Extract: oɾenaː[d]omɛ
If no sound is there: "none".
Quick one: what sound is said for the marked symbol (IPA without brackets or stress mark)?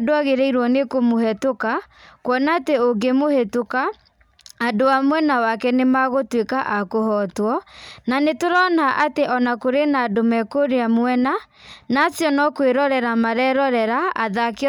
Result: d